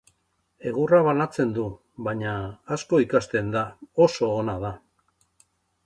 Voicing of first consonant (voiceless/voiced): voiced